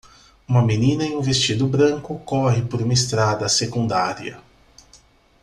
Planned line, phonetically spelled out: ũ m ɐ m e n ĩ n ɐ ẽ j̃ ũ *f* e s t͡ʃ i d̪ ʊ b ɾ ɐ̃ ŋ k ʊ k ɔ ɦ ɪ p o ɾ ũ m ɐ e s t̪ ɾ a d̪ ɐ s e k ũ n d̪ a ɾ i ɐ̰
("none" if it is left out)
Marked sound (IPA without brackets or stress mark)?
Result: v